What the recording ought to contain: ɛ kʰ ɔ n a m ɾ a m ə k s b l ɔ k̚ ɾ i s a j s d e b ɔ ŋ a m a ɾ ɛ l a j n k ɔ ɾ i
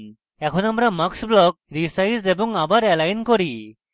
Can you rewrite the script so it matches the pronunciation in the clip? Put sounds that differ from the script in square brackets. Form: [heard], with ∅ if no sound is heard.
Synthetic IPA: ɛ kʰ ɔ n a m ɾ a m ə k s b l ɔ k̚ ɾ i s a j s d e b ɔ ŋ a [b] a ɾ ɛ l a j n k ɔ ɾ i